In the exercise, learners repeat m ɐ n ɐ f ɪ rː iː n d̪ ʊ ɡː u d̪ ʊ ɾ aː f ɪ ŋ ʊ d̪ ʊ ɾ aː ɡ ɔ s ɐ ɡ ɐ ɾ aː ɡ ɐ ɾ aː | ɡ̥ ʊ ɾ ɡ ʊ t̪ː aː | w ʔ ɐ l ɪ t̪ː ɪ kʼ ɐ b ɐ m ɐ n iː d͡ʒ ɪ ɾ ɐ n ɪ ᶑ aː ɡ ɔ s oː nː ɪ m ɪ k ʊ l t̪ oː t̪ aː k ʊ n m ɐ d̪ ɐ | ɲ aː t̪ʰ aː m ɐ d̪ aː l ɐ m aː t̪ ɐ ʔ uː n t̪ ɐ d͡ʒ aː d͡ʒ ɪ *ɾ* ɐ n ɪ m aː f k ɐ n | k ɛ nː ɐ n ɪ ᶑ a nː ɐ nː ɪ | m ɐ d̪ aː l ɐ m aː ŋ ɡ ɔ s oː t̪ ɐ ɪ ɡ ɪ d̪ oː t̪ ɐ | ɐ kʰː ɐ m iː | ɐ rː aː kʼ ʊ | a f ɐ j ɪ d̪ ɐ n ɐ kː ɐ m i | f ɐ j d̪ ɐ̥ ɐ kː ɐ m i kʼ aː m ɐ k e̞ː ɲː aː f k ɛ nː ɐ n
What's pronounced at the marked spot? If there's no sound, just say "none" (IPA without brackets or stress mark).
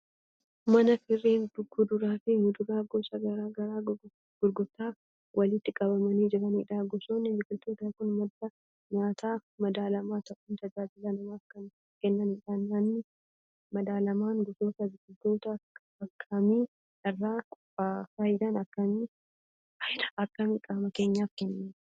l